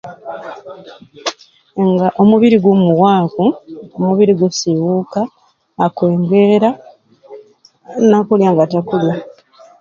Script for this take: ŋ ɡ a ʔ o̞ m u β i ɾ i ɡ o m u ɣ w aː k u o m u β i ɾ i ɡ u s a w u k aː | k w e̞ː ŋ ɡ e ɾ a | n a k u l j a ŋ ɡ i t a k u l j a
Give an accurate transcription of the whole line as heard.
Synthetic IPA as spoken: ŋ ɡ a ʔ o̞ m u β i ɾ i ɡ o m u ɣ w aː k u o m u β i ɾ i ɡ u s i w u k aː | k w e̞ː ŋ ɡ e ɾ a | n a k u l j a ŋ ɡ a t a k u l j a